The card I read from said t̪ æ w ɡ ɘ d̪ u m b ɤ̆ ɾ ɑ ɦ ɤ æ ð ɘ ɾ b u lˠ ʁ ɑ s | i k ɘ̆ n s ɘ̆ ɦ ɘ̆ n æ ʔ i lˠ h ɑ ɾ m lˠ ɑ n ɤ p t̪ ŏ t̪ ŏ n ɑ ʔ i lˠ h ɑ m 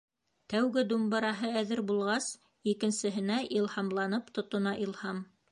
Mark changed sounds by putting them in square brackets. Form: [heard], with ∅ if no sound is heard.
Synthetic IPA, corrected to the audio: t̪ æ w ɡ ɘ d̪ u m b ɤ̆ ɾ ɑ ɦ ɤ æ ð ɘ ɾ b u lˠ ʁ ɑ s | i k ɘ̆ n s ɘ̆ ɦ ɘ̆ n æ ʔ i lˠ h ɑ [∅] m lˠ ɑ n ɤ p t̪ ŏ t̪ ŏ n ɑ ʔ i lˠ h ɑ m